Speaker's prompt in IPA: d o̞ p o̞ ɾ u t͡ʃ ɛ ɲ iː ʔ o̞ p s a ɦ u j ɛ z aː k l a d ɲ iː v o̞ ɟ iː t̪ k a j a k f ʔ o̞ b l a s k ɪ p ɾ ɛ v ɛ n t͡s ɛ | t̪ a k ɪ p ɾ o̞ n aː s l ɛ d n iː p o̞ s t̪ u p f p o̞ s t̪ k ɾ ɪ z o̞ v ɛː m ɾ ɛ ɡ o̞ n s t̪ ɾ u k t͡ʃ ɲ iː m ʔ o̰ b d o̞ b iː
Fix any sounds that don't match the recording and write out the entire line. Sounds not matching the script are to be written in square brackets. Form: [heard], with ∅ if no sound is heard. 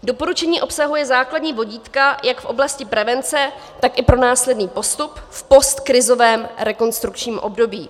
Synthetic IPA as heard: d o̞ p o̞ ɾ u t͡ʃ ɛ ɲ iː ʔ o̞ p s a ɦ u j ɛ z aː k l a d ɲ iː v o̞ ɟ iː t̪ k a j a k f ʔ o̞ b l a s [c] ɪ p ɾ ɛ v ɛ n t͡s ɛ | t̪ a k ɪ p ɾ o̞ n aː s l ɛ d n iː p o̞ s t̪ u p f p o̞ s t̪ k ɾ ɪ z o̞ v ɛː m ɾ ɛ [k] o̞ n s t̪ ɾ u k t͡ʃ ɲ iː m ʔ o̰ b d o̞ b iː